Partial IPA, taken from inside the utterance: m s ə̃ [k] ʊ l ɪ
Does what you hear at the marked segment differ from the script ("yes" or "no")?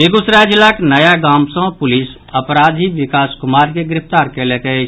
yes